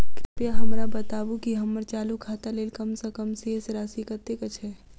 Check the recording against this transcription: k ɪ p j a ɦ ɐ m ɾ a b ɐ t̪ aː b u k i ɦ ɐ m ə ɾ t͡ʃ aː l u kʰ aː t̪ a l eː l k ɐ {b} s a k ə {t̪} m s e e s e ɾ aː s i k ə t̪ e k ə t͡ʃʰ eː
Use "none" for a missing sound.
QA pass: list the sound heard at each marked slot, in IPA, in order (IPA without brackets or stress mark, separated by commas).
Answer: m, none